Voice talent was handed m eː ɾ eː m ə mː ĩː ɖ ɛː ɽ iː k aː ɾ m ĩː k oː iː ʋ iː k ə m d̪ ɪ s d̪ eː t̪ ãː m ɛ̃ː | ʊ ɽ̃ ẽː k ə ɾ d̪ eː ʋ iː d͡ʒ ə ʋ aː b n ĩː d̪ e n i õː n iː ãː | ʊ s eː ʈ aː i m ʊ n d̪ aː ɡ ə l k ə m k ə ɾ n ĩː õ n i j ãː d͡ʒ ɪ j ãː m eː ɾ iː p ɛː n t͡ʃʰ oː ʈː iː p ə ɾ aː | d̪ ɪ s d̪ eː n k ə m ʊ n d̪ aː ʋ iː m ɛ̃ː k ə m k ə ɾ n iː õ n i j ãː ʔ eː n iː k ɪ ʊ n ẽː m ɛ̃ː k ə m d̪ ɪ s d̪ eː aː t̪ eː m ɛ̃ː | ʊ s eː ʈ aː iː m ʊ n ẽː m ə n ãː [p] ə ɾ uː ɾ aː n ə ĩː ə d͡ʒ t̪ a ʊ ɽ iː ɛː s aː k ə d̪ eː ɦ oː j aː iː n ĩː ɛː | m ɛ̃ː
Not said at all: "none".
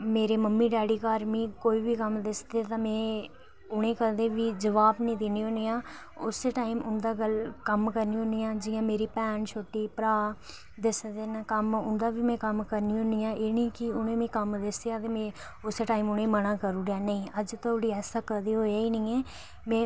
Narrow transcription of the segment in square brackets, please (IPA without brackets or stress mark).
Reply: k